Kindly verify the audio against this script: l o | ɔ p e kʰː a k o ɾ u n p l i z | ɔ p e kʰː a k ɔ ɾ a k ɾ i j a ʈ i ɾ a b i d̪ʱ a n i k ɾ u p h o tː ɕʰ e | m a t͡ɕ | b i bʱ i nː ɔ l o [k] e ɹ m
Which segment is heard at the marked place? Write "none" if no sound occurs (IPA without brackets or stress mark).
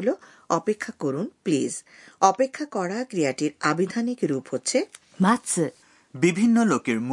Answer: k